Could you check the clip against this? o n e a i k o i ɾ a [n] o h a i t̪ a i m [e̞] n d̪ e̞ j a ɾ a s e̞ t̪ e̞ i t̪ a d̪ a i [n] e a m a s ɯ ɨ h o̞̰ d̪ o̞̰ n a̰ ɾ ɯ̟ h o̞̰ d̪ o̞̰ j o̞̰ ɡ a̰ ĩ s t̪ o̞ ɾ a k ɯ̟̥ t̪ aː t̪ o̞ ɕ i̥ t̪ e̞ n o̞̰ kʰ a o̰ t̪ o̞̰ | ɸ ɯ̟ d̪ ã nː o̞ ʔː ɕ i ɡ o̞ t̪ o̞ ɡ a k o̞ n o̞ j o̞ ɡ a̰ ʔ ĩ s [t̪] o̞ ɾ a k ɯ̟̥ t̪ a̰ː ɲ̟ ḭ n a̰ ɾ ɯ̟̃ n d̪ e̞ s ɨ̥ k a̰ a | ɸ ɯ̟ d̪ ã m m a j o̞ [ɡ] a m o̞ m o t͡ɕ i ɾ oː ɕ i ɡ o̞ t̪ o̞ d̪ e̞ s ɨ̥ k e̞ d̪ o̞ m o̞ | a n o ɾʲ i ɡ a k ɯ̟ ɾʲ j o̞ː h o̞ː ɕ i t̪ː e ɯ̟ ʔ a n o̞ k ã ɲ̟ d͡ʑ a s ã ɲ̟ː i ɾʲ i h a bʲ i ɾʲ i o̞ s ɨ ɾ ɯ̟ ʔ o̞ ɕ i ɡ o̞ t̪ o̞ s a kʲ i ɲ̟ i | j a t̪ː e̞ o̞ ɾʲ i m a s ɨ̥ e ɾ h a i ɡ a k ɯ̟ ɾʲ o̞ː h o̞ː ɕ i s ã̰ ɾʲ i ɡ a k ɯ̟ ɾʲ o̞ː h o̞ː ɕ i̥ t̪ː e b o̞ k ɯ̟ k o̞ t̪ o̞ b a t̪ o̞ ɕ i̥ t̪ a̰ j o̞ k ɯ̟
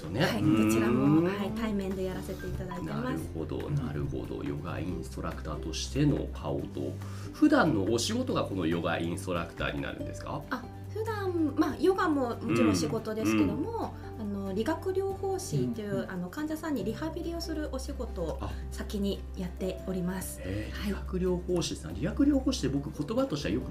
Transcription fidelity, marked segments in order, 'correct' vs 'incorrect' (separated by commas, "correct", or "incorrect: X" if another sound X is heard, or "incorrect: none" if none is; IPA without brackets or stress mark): incorrect: m, incorrect: ẽ̞, correct, correct, correct